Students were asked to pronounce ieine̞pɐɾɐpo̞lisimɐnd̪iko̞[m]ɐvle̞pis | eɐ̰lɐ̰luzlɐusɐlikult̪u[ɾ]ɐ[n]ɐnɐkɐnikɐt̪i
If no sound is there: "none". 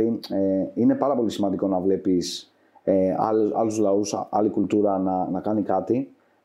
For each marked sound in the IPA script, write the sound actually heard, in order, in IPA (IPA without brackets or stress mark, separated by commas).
n, ɾ, n